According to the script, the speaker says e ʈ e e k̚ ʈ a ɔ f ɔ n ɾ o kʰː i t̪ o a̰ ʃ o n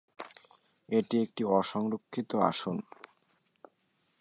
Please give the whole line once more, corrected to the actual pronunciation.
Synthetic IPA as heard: e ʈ i e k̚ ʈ i ɔ ʃ ɔ ŋ ɾ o kʰː i t̪ o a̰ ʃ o n